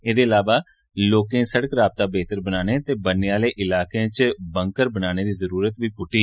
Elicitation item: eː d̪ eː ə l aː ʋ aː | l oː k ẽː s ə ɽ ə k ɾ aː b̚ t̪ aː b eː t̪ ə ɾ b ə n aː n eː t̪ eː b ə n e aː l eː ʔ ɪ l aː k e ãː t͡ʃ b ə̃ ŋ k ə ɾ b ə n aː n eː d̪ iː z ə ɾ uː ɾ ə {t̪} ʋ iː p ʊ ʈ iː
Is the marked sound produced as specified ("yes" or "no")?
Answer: yes